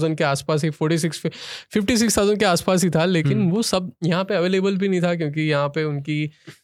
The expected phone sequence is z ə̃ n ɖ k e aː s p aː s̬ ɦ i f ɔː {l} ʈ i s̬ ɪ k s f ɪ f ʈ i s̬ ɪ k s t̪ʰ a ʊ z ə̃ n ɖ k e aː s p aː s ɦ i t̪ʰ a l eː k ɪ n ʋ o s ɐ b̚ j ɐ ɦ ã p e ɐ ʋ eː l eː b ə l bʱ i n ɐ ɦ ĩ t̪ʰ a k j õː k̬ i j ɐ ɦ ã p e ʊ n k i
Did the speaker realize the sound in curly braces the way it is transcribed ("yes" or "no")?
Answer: no